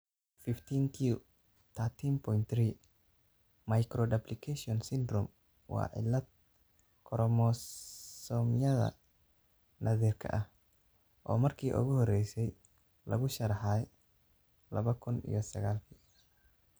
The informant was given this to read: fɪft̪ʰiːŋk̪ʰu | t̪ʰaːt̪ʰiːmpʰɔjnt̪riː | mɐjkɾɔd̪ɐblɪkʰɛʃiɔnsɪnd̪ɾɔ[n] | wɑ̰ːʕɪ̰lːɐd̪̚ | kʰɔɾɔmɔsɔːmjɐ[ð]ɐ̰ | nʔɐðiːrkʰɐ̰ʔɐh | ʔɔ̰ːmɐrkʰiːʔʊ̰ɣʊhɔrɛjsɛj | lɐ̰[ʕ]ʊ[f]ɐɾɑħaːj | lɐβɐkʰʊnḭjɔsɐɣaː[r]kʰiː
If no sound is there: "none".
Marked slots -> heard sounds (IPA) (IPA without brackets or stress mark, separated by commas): m, ð, ɣ, ʃ, l